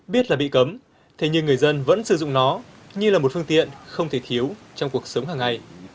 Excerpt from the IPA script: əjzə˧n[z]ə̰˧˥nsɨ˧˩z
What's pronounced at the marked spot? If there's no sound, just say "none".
v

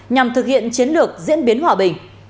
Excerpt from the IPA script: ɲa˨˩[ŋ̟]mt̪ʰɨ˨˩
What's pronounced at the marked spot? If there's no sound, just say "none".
none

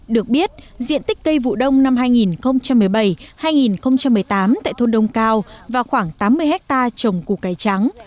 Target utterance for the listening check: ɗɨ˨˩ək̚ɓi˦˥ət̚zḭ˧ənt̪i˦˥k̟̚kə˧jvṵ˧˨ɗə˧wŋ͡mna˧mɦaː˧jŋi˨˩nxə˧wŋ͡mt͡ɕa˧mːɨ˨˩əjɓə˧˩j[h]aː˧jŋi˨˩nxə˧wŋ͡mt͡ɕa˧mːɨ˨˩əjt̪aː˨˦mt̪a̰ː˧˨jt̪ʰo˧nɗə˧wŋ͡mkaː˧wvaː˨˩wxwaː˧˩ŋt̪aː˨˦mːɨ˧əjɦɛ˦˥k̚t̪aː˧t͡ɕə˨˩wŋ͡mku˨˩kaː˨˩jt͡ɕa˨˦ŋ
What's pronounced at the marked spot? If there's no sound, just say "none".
h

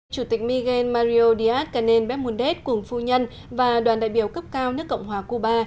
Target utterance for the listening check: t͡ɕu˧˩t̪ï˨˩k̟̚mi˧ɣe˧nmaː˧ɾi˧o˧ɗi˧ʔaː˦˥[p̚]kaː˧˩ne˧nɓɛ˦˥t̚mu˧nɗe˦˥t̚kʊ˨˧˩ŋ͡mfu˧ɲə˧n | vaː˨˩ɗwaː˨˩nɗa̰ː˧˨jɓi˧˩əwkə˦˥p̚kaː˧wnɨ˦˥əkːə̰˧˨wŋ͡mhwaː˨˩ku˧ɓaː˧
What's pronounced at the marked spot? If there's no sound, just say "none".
t̚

